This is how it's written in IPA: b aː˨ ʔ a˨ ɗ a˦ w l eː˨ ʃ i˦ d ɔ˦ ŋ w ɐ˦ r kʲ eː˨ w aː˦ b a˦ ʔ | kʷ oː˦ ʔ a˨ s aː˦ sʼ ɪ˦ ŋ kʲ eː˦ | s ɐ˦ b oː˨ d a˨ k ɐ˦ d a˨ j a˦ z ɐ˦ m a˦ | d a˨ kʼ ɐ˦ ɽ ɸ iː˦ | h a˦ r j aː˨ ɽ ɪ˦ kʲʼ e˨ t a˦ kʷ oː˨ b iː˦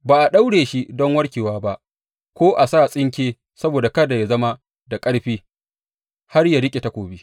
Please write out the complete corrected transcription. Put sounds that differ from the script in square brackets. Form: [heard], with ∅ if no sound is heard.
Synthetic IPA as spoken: b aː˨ ʔ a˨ ɗ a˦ w [ɽ] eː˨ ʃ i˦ d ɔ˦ ŋ w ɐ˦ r kʲ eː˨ w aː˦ b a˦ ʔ | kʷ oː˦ ʔ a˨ s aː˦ sʼ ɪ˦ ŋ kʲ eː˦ | s ɐ˦ b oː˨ d a˨ k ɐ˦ d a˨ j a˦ z ɐ˦ m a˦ | d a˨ kʼ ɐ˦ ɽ ɸ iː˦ | h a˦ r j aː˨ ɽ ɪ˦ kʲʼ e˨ t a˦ kʷ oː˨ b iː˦